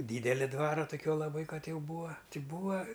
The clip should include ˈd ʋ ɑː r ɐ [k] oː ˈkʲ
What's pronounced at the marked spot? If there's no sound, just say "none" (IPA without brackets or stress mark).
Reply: t